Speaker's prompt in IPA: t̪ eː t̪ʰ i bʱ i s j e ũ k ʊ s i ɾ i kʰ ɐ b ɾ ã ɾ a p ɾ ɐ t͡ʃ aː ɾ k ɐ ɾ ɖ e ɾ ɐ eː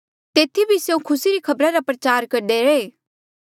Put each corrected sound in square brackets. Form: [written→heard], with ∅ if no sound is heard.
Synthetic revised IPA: t̪ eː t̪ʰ i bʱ i s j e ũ [k→kʰ] ʊ s i ɾ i kʰ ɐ b ɾ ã ɾ a p ɾ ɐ t͡ʃ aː ɾ k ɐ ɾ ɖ e ɾ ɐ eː